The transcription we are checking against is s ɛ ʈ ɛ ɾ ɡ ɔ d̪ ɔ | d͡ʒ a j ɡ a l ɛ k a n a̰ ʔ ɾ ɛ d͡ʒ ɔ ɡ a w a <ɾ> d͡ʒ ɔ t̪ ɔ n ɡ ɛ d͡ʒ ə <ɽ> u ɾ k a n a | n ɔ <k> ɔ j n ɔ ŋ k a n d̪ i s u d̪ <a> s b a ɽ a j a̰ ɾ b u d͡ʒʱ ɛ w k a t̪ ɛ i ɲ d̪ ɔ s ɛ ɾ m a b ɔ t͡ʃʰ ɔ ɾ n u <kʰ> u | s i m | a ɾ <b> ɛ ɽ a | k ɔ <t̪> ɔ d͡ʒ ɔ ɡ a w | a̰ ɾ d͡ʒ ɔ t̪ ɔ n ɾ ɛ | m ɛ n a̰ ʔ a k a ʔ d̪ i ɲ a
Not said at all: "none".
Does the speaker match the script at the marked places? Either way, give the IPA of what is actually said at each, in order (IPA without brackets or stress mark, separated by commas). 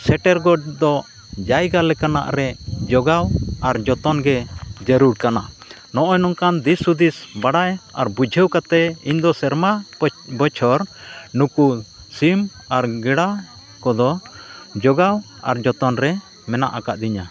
ɾ, ɾ, ʔ, i, k, ɡ, d̪